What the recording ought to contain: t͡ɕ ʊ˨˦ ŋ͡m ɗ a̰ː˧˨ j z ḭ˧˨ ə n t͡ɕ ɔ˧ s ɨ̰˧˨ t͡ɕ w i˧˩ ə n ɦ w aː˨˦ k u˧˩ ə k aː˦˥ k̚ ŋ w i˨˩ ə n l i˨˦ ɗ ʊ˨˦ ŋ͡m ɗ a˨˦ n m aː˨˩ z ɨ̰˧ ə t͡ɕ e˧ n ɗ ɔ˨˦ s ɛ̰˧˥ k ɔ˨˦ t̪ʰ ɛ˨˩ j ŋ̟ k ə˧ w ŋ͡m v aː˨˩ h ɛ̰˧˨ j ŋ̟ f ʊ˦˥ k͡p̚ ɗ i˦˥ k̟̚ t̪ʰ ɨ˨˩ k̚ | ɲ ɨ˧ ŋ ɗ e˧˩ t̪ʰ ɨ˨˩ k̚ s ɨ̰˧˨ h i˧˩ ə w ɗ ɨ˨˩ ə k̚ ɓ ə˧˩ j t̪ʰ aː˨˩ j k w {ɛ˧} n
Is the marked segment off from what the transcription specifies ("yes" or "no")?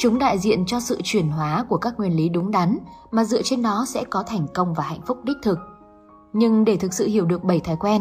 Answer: no